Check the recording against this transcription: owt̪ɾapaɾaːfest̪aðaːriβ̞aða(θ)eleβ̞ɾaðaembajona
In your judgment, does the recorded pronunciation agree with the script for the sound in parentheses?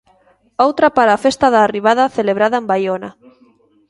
yes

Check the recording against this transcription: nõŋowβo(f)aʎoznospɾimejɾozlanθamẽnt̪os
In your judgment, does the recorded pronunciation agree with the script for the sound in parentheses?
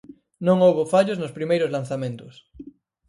yes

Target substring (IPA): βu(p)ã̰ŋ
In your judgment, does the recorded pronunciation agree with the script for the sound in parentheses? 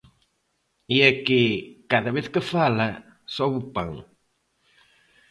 yes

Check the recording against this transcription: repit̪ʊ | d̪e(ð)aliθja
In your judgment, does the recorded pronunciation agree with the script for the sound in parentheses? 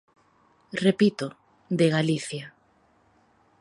no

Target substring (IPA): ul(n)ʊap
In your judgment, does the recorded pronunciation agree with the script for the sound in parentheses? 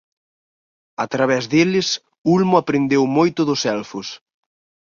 no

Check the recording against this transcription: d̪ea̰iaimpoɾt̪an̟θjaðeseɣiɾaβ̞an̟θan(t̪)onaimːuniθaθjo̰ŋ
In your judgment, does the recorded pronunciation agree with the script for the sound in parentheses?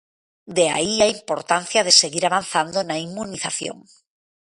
no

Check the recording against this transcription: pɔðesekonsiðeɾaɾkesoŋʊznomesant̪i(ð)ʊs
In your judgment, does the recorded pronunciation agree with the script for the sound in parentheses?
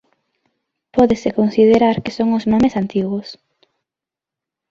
no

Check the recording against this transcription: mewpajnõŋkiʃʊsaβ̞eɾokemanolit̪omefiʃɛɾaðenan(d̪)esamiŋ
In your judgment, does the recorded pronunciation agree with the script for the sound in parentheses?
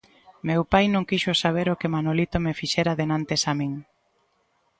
no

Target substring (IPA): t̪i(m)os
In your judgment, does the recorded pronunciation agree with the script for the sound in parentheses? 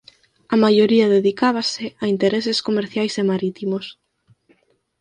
yes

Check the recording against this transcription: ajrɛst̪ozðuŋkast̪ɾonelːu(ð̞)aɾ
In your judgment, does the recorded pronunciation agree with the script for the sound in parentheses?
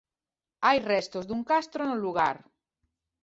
no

